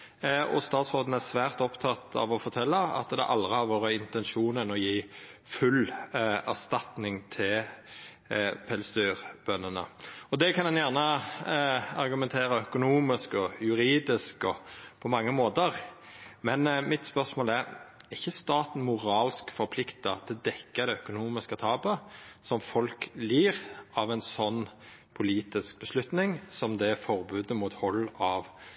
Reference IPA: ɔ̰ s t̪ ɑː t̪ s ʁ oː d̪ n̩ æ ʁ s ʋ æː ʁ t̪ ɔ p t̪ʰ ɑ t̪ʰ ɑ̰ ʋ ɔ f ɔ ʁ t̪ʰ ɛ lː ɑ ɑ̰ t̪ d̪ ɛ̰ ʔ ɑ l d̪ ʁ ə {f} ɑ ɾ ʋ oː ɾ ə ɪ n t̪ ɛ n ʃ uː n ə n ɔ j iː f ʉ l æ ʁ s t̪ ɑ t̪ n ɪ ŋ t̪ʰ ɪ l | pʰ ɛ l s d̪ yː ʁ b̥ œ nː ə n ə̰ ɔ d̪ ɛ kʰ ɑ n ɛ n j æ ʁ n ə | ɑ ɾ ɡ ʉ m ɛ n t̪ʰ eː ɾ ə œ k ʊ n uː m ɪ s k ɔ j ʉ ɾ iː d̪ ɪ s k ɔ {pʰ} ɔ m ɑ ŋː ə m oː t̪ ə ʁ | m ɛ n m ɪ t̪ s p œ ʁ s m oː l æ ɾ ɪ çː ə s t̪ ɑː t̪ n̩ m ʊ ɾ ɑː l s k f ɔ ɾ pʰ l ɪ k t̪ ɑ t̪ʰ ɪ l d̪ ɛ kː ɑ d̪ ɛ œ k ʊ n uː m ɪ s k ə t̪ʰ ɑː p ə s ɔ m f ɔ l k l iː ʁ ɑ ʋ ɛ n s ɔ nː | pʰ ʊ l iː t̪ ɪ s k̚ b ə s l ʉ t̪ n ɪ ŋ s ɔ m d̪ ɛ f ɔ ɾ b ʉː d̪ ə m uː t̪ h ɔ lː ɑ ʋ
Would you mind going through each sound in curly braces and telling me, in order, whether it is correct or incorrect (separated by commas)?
incorrect, correct